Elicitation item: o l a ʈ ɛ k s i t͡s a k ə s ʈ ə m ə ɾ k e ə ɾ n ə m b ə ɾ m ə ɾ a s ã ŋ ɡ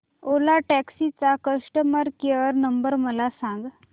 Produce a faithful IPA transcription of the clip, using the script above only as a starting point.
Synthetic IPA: o l a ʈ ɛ k s i t͡s a k ə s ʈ ə m ə ɾ k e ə ɾ n ə m b ə ɾ m ə l a s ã ŋ ɡ